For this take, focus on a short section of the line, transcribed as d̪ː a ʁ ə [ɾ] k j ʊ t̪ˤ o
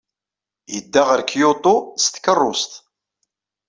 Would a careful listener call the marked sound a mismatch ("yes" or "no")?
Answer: no